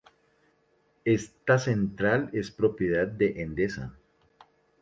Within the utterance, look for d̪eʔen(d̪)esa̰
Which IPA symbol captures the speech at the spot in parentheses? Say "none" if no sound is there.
d̪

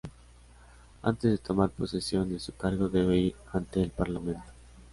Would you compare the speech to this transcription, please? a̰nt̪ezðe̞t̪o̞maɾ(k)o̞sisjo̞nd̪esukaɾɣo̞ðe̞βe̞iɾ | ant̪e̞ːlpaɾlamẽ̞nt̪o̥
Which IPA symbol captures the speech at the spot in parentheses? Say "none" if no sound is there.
p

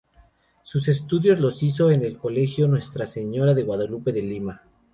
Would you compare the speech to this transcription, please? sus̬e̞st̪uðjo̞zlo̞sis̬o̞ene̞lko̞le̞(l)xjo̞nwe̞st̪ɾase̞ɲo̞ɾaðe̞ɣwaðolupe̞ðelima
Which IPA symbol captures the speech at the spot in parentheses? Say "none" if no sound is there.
none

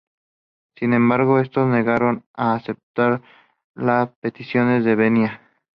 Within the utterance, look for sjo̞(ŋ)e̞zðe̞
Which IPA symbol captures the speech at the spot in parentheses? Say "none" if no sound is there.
n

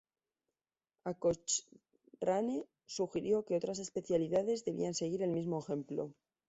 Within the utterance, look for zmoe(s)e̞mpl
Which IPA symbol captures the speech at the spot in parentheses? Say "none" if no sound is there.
x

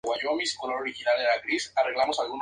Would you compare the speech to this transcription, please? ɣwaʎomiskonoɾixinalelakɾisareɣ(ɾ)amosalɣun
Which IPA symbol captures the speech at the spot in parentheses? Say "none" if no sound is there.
l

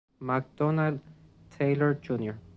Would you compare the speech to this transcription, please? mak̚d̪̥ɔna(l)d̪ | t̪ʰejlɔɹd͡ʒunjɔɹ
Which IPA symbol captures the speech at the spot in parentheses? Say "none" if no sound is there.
l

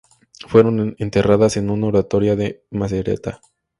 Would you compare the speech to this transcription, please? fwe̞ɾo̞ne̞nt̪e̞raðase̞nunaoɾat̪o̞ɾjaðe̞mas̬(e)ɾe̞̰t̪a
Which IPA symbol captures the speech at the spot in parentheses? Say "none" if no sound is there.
e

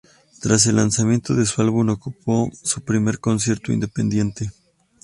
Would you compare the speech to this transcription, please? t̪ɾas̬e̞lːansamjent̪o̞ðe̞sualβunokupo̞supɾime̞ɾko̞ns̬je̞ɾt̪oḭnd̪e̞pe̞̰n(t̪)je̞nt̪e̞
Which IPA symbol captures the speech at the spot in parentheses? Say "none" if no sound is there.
d̪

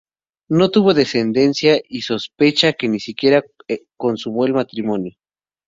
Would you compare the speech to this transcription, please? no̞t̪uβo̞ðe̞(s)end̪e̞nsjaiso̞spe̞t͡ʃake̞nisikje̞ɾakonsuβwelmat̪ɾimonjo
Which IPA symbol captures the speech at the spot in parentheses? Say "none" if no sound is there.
s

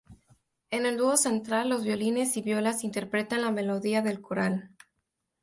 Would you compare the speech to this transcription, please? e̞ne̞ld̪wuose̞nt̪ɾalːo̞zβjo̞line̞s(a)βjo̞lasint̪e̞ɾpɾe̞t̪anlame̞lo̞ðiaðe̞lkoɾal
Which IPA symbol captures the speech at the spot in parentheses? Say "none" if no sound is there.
i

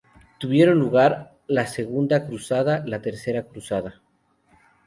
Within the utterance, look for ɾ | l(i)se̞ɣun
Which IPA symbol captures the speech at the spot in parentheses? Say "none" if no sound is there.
a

